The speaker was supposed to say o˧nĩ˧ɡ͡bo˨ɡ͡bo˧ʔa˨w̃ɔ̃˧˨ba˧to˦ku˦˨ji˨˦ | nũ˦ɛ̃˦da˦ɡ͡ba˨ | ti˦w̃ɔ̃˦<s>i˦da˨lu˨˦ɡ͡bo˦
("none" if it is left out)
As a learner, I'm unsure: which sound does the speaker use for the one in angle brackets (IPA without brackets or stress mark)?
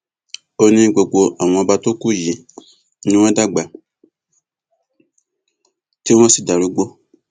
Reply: s